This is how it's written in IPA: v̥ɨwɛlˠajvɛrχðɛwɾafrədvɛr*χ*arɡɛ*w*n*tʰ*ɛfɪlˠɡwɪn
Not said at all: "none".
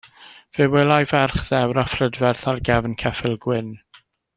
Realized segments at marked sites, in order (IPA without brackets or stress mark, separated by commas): θ, v, kʰ